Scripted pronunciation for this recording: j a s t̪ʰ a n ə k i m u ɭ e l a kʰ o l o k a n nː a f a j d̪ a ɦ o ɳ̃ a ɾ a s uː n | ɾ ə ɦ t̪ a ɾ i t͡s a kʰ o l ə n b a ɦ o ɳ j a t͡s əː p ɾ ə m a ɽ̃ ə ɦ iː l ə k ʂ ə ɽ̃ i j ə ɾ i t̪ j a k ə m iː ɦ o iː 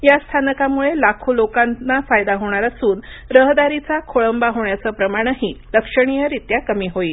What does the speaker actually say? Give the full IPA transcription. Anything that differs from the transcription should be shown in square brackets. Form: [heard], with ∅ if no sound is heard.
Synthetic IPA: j a s t̪ʰ a n ə k [a] m u ɭ e l a kʰ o l o k a n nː a f a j d̪ a ɦ o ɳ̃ a ɾ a s uː n | ɾ ə ɦ [d̪] a ɾ i t͡s a kʰ o [ɭ] ə [m] b a ɦ o ɳ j a t͡s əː p ɾ ə m a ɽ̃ ə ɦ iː l ə k ʂ ə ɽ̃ i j ə ɾ i t̪ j a k ə m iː ɦ o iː